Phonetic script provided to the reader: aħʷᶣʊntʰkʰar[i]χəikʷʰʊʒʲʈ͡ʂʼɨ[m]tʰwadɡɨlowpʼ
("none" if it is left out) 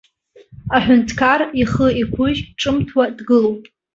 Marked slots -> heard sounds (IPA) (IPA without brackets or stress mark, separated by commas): i, m